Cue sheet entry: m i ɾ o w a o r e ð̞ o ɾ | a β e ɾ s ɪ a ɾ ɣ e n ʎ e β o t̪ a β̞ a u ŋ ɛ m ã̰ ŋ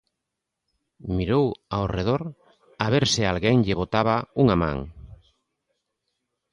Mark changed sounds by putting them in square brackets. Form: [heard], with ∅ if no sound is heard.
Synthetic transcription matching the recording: m i ɾ o w a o r e ð̞ o ɾ | a β e ɾ s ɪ a [l] ɣ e [ŋ] ʎ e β o t̪ a β̞ a u ŋ [a] m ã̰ ŋ